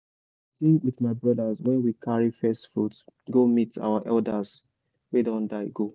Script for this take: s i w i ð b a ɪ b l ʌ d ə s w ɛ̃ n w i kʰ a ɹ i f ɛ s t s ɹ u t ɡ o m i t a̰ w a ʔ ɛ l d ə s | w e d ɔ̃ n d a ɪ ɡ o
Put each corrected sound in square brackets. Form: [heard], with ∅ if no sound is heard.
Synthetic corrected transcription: s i w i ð [m] a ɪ b [ɹ] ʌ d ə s w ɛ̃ n w i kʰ a ɹ i f ɛ s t [f] ɹ u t ɡ o m i t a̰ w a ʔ ɛ l d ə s | w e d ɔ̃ n d a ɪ ɡ o